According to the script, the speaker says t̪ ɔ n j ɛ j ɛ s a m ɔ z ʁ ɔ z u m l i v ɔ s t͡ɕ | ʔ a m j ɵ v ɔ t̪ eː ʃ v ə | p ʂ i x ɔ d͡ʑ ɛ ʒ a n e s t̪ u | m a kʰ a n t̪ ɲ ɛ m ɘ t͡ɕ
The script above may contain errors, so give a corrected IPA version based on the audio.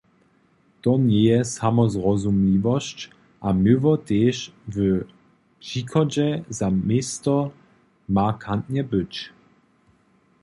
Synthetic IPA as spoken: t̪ ɔ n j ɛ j ɛ s a m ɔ z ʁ ɔ z u m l i v ɔ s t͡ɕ | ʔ a m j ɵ v ɔ t̪ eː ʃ v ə | p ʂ i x ɔ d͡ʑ ɛ z a m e s t̪ ɔ | m a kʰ a n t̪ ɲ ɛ b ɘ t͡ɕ